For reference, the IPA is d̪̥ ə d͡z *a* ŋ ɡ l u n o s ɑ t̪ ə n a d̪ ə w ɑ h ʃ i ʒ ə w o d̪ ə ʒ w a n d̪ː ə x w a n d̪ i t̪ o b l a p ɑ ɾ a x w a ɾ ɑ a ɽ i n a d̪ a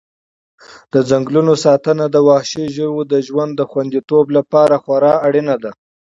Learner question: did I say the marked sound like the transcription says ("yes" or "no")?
yes